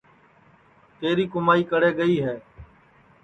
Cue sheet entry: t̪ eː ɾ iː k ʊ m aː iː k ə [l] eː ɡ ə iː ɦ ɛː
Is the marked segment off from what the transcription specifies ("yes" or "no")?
yes